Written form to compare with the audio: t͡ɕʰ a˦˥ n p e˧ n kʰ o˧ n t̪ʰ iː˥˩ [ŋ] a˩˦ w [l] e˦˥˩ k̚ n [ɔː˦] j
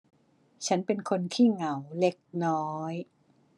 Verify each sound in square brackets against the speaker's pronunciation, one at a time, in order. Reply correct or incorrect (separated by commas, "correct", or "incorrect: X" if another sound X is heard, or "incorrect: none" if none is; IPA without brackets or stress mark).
correct, correct, correct